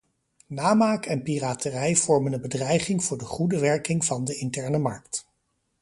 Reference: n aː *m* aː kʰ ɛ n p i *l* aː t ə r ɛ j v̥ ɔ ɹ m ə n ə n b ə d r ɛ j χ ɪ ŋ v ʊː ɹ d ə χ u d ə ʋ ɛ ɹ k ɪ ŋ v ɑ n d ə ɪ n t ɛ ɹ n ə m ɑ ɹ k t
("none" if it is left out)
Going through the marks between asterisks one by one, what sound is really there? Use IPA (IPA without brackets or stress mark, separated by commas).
m, r